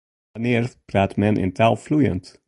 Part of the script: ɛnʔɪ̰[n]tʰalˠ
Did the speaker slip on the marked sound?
no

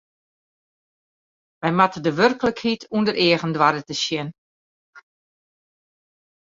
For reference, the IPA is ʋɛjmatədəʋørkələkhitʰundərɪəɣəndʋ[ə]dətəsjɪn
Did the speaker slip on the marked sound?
yes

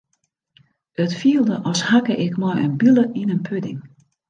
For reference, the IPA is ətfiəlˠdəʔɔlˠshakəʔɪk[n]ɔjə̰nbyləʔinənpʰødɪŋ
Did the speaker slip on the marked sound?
yes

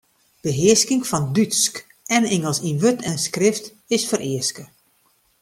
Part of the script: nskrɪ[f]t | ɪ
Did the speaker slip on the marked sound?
no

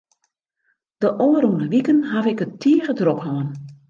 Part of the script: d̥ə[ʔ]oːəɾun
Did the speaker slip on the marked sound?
no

